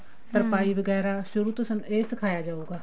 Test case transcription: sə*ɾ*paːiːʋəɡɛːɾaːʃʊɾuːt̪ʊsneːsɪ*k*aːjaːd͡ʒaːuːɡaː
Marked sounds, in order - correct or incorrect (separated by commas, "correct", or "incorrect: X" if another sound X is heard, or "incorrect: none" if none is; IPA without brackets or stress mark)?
correct, incorrect: kʰ